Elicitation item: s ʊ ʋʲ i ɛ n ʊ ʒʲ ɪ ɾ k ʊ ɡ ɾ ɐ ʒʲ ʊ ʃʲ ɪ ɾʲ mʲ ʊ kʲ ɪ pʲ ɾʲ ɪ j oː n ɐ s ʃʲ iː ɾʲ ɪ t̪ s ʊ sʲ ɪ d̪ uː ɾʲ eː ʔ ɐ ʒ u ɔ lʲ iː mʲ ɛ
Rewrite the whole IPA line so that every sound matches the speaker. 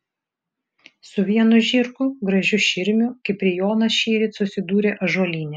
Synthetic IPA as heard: s ʊ ʋʲ i ɛ n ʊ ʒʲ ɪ ɾ k ʊ ɡ ɾ ɐ ʒʲ ʊ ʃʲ ɪ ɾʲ mʲ ʊ kʲ ɪ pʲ ɾʲ ɪ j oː n ɐ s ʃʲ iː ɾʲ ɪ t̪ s ʊ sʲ ɪ d̪ uː ɾʲ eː ʔ ɐ ʒ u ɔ lʲ iː nʲ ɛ